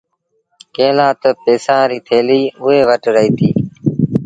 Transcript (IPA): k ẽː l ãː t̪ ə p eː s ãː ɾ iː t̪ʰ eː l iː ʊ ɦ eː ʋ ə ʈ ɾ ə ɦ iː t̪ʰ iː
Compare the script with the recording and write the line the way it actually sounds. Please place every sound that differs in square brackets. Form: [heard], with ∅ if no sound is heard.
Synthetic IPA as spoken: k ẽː l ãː t̪ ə p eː s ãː ɾ iː t̪ʰ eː l iː ʊ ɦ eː ʋ ə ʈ ɾ ə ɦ iː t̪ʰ iː